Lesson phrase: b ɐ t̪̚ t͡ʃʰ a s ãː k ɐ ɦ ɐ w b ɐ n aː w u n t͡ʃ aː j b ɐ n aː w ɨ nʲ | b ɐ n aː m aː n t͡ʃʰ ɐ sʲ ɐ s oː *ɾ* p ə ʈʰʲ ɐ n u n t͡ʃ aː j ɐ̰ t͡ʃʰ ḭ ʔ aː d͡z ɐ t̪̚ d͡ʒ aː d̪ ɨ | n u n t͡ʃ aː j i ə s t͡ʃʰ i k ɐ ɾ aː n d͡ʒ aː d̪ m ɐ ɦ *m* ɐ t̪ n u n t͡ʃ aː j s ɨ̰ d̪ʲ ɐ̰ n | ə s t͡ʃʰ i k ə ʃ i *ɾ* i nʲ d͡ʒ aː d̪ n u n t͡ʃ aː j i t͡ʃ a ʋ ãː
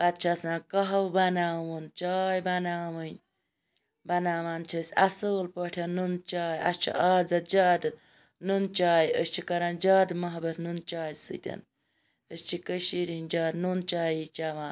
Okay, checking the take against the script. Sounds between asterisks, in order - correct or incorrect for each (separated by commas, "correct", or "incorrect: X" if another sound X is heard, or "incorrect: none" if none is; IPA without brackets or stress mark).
incorrect: l, incorrect: b, correct